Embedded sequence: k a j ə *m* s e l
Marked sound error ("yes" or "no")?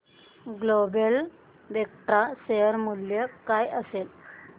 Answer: yes